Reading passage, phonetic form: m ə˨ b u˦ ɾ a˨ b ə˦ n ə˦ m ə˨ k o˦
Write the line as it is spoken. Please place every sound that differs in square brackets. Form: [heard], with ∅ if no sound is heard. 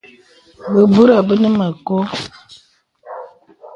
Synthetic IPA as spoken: [b] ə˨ b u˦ ɾ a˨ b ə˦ n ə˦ m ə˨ k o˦